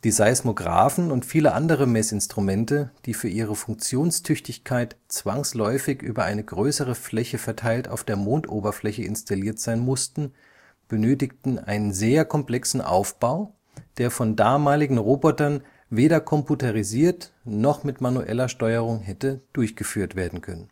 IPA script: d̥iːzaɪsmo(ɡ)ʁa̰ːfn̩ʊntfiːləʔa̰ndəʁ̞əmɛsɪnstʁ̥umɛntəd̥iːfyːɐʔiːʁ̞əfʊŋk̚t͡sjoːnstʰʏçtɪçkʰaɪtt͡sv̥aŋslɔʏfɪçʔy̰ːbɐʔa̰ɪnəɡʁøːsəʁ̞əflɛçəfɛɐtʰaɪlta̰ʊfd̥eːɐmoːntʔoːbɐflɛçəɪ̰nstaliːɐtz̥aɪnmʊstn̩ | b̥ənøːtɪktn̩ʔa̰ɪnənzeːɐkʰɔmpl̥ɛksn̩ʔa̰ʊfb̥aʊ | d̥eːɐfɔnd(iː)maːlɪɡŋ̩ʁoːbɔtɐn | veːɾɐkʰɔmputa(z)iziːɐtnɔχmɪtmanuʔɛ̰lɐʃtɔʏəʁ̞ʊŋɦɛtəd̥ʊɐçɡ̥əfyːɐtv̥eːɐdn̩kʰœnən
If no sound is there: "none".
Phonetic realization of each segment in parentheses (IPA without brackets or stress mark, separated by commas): ɡ, aː, ʁ